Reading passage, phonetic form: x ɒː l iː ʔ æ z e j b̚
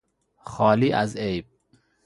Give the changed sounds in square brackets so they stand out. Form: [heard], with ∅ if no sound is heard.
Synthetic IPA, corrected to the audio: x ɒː l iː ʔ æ z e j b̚